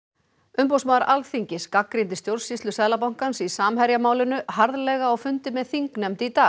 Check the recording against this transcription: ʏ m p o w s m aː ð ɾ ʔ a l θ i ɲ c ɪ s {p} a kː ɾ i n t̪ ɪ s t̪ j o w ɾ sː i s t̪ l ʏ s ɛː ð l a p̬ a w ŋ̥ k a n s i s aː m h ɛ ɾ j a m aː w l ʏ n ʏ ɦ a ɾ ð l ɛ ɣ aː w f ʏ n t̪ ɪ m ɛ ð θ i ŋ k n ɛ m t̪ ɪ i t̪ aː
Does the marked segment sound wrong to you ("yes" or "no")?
yes